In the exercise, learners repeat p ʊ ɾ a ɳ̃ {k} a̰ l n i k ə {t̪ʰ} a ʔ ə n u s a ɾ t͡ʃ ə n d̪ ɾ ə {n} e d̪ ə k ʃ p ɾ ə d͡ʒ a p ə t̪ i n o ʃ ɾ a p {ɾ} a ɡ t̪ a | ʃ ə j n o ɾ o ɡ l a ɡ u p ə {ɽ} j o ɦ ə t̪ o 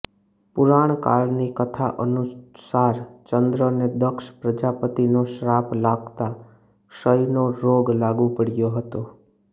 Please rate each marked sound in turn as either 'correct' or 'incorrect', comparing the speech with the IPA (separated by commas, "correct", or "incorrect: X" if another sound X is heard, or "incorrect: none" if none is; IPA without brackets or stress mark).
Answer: correct, correct, correct, incorrect: l, correct